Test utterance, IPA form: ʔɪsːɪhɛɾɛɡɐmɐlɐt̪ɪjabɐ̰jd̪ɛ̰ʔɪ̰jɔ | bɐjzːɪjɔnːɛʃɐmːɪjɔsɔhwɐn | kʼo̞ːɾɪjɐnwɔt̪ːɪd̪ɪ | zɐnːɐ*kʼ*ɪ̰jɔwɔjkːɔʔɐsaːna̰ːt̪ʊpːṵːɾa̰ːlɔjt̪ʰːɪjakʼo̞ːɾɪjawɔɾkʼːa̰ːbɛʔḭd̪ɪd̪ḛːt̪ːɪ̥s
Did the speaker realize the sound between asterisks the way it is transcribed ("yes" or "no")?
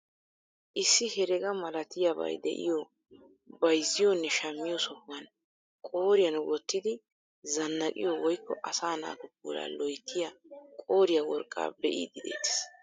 yes